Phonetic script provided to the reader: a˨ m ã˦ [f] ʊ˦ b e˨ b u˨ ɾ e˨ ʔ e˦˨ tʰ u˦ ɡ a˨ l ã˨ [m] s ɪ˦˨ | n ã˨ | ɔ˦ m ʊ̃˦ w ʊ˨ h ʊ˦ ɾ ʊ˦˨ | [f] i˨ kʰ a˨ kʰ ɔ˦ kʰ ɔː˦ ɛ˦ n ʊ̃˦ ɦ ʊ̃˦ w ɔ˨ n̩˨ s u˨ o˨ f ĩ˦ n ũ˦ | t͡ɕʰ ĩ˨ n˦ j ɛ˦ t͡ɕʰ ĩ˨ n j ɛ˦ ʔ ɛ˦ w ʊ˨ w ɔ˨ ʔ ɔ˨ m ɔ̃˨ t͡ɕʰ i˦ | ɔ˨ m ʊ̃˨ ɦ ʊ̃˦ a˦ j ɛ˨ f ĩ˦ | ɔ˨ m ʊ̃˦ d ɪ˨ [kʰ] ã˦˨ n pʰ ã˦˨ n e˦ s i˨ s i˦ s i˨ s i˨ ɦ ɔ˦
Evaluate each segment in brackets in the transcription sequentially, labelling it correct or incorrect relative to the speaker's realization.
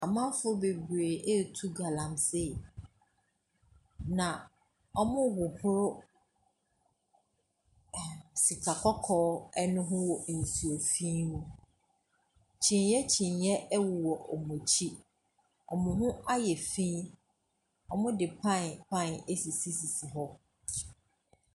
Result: correct, correct, incorrect: s, incorrect: pʰ

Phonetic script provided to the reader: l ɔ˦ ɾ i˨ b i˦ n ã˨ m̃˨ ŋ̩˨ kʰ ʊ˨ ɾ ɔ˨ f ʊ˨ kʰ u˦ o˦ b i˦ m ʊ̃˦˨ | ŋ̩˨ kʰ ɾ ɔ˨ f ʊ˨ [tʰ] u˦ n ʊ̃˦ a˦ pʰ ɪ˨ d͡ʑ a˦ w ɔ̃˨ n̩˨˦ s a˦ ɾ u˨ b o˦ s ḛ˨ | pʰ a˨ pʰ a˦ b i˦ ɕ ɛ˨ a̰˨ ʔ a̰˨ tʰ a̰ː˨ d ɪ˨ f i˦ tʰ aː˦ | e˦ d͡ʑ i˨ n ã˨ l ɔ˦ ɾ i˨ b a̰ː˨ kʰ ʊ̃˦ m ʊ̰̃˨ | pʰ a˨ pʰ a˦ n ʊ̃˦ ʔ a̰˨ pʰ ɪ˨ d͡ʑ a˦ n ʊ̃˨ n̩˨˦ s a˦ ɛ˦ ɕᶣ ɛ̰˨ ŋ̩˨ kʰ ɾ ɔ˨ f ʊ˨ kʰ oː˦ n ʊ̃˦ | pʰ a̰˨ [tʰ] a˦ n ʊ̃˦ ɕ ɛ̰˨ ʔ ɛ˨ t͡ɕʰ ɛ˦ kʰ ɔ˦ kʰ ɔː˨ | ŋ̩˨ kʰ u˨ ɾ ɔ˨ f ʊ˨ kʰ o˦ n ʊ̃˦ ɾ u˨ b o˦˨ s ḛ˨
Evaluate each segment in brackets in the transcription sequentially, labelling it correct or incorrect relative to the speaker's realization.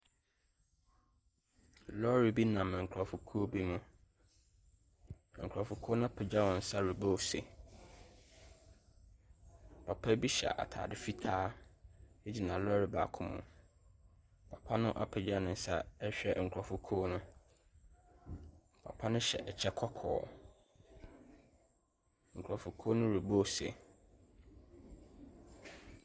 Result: incorrect: kʰ, incorrect: pʰ

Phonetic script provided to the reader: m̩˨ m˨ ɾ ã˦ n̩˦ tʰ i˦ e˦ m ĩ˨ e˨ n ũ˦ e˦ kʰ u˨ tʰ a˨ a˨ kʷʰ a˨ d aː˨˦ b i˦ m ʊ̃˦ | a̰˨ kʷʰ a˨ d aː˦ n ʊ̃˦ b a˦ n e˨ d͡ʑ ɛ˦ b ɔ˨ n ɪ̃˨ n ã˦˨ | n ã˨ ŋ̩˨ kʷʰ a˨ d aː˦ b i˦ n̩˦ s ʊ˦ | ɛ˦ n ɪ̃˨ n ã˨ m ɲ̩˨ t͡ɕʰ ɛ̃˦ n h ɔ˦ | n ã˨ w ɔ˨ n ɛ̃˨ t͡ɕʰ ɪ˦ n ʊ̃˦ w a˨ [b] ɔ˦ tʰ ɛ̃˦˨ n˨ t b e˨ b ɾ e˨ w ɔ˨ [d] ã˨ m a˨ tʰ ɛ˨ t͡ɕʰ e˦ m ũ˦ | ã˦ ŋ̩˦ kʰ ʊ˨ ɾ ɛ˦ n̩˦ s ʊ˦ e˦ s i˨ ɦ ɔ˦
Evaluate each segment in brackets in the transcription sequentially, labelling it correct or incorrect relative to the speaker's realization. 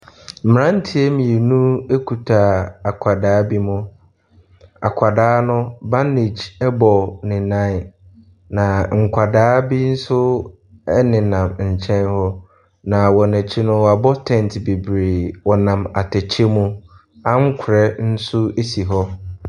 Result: correct, incorrect: n

